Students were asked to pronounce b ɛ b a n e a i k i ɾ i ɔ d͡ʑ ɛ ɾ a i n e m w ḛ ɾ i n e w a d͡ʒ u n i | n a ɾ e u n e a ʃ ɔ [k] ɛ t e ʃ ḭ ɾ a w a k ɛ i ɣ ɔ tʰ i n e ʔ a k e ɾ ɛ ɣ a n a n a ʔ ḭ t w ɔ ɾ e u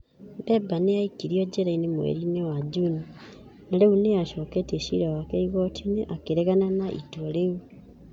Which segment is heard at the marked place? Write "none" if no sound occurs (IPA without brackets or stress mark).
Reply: k